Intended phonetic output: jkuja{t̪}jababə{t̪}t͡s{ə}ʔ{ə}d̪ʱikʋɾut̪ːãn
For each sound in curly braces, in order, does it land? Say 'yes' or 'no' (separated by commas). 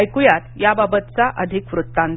yes, yes, no, yes